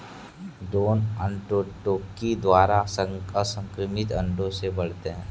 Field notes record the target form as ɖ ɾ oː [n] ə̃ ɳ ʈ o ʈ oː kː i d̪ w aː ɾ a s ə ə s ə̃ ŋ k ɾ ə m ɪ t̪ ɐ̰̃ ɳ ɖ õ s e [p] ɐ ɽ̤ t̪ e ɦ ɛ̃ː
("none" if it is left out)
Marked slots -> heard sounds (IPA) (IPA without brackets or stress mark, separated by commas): n, b